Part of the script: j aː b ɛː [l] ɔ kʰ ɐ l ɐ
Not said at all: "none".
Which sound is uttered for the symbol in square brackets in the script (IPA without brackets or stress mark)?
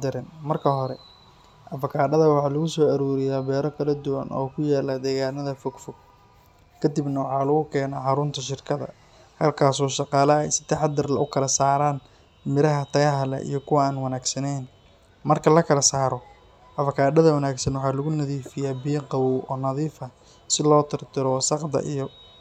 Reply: ɾ